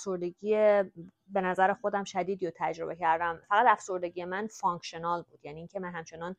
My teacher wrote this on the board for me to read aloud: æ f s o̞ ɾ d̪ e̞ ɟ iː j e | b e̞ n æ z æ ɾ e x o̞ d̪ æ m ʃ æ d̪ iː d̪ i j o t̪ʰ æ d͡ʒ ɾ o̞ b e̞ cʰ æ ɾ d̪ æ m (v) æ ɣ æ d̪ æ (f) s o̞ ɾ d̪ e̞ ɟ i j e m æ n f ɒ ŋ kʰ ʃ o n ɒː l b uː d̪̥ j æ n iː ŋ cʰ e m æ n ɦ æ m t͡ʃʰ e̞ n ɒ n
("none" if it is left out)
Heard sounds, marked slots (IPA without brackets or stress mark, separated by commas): f, f